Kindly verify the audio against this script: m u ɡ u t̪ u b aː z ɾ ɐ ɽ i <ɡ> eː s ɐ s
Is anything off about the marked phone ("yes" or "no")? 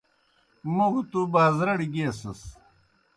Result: no